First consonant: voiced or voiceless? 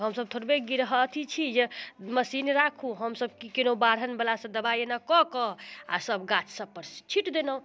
voiced